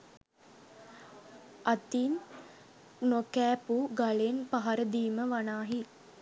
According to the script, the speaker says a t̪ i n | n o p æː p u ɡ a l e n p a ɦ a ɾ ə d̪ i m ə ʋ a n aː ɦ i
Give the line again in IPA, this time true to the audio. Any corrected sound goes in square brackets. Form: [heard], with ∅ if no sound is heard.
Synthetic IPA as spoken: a t̪ i n | n o [k] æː p u ɡ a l e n p a ɦ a ɾ ə d̪ [iː] m ə ʋ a n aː ɦ i